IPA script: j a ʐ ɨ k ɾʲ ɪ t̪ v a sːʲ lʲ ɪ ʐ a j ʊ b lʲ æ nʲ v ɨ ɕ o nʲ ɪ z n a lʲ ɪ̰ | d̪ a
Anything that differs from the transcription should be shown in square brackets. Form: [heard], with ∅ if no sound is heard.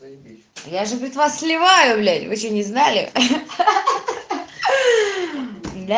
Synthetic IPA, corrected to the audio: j a ʐ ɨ [p] ɾʲ ɪ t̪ v a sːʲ lʲ ɪ [v] a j ʊ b lʲ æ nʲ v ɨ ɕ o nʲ ɪ z n a lʲ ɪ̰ | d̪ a